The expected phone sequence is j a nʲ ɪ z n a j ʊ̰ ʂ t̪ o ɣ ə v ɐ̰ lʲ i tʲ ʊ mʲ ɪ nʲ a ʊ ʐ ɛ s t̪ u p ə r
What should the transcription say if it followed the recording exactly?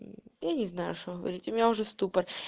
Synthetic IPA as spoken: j a nʲ ɪ z n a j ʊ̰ ʂ t̪ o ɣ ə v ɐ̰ ɾʲ i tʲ ʊ mʲ ɪ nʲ a ʊ ʐ ɛ s t̪ u p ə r